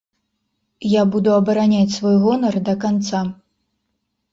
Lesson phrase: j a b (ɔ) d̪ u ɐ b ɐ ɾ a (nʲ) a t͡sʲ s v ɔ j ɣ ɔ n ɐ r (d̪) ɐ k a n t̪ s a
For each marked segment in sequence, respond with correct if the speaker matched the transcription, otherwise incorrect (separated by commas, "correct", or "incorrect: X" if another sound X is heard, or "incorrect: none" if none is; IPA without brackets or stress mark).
incorrect: u, correct, correct